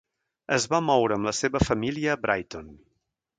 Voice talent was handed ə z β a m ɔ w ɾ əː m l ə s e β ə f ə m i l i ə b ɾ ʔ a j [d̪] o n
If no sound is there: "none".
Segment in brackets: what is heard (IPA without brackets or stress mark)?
t̪